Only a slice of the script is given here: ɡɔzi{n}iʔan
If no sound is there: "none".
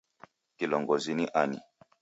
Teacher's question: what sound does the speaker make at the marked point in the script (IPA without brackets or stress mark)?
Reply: n